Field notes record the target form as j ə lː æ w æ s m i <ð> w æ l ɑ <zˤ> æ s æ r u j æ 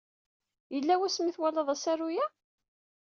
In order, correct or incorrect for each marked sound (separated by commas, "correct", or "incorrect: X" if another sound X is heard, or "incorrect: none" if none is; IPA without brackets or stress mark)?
incorrect: θ, incorrect: ðˤ